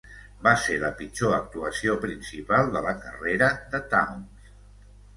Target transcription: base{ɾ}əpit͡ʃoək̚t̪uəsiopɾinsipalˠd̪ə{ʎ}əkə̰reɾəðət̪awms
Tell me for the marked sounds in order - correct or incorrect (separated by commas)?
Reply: incorrect, incorrect